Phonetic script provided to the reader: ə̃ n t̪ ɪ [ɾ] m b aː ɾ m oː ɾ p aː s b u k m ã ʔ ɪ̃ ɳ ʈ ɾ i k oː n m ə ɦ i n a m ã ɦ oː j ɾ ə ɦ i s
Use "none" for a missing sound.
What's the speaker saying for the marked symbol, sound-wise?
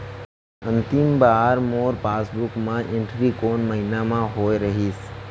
none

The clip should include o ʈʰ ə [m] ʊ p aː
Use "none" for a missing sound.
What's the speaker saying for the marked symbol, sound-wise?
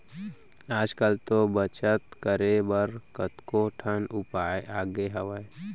n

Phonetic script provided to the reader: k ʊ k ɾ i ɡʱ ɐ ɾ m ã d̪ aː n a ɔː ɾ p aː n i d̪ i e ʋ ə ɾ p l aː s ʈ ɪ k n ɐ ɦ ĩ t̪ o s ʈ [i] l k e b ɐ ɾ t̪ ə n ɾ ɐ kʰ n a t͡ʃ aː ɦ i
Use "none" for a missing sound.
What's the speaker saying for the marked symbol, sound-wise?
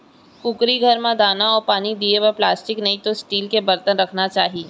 iː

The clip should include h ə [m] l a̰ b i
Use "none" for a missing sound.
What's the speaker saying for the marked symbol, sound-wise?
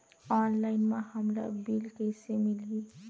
m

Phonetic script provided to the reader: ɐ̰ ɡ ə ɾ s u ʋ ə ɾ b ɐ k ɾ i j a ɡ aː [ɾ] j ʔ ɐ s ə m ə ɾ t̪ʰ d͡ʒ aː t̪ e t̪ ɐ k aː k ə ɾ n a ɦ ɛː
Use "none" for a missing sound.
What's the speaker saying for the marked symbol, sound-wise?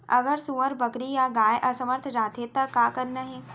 none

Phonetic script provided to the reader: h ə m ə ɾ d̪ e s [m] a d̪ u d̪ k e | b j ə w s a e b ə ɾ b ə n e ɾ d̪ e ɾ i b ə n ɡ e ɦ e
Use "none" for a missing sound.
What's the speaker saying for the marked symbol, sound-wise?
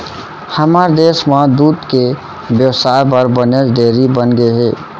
m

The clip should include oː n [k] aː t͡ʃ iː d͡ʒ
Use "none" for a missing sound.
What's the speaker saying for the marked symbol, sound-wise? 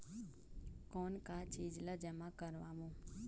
k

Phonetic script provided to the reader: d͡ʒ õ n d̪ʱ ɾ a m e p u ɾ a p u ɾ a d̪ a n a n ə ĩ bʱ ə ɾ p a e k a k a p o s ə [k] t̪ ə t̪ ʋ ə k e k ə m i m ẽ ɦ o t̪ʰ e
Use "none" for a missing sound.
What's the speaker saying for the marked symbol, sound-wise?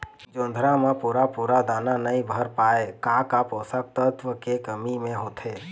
k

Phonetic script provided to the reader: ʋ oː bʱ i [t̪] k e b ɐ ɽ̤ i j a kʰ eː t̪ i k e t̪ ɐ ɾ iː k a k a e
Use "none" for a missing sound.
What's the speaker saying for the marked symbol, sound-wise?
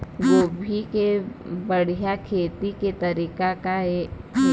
none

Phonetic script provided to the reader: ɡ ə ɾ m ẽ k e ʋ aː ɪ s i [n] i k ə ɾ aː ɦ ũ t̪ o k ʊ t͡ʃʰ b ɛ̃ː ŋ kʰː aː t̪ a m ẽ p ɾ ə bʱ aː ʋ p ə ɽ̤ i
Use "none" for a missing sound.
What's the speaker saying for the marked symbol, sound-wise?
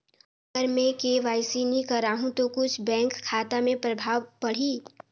n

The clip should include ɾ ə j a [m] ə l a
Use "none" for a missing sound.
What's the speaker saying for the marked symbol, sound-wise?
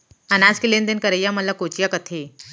m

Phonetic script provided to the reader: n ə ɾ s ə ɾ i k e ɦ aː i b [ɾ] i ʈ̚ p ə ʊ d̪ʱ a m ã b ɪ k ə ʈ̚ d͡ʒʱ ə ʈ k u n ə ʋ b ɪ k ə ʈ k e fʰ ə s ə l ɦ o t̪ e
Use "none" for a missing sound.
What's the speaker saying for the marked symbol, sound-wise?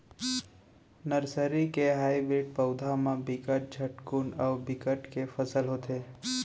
ɾ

